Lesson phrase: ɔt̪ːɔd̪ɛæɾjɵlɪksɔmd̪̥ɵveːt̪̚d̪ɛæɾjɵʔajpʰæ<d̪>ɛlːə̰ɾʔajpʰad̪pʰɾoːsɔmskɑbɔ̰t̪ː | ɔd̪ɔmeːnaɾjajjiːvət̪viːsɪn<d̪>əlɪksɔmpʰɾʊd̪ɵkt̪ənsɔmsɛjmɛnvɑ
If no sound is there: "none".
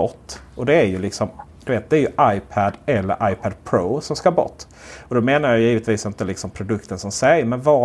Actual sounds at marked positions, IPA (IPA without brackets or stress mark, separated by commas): d̪, t̪